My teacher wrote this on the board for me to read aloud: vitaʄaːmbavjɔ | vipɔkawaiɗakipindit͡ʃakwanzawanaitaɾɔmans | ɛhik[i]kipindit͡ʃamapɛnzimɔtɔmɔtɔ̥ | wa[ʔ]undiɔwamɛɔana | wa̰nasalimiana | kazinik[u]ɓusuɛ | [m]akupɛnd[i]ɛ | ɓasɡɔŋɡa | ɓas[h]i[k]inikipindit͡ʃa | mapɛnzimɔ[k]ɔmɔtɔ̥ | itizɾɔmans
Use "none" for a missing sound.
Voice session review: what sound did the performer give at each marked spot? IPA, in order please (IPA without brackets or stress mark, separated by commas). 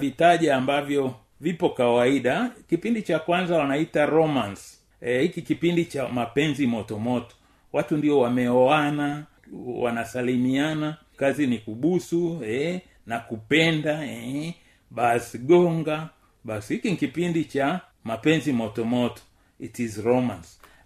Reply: i, t, u, n, a, h, k, t